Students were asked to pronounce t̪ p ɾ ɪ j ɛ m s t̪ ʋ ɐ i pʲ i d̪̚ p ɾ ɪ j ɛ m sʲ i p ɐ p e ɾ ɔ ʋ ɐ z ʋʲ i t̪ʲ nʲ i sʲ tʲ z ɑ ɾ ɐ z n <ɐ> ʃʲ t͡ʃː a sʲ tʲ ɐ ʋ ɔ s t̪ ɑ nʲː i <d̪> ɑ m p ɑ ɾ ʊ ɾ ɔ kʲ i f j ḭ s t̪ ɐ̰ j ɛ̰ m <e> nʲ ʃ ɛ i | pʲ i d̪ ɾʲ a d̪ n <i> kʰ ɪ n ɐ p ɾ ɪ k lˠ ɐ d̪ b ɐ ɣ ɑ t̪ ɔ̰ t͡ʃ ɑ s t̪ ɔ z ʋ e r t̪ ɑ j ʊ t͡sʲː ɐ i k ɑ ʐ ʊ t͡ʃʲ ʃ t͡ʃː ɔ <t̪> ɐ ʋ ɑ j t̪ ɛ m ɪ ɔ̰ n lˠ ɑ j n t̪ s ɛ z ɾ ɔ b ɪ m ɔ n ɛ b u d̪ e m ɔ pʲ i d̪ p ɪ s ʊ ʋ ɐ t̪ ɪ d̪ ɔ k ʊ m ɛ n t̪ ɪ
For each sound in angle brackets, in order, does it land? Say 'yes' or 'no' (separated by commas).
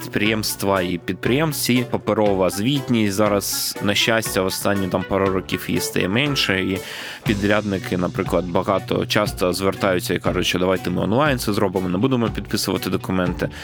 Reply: yes, no, no, no, no